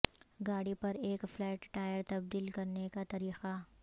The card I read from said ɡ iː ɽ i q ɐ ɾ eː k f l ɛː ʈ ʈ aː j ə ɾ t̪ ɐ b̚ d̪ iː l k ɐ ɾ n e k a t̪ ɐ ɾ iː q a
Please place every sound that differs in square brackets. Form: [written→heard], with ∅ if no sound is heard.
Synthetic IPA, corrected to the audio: ɡ [iː→aː] ɽ i [q→p] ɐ ɾ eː k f l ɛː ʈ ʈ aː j ə ɾ t̪ ɐ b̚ d̪ iː l k ɐ ɾ n e k a t̪ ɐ ɾ iː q a